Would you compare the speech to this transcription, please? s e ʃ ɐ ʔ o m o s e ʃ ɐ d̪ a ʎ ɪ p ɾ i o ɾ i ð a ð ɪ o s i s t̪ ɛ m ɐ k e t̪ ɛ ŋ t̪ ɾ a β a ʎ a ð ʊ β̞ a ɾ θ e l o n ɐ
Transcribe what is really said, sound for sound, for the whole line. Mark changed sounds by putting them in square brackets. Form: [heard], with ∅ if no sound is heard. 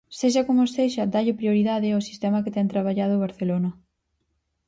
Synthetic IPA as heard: s e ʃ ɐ [k] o m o s e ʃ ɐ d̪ a ʎ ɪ p ɾ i o ɾ i ð a ð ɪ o s i s t̪ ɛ m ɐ k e t̪ ɛ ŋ t̪ ɾ a β a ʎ a ð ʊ β̞ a ɾ θ e l o n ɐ